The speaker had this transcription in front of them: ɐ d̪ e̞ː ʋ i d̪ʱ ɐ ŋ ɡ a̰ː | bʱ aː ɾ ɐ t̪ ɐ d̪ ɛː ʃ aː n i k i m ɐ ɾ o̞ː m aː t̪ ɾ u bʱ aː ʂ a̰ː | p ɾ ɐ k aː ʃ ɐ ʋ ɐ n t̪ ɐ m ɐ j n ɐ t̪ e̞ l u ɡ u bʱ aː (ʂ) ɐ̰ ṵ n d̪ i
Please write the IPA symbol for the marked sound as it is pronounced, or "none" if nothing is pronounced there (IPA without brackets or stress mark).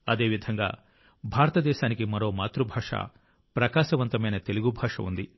ʂ